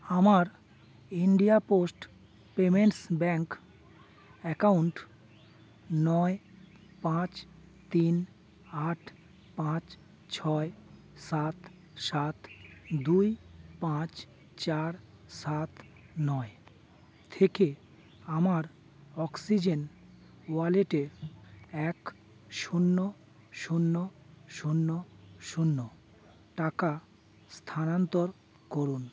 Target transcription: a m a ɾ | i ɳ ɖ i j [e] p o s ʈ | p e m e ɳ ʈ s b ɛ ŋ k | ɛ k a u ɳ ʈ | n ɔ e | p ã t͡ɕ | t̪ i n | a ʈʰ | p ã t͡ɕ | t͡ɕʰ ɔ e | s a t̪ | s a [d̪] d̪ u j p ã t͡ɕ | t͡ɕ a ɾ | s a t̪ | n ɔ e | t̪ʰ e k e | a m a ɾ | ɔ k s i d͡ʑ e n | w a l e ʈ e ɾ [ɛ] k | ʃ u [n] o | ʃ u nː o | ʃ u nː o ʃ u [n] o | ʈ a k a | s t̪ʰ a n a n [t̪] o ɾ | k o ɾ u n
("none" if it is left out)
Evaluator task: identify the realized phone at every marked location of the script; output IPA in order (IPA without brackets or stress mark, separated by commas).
a, t̪, ɛ, nː, nː, t̪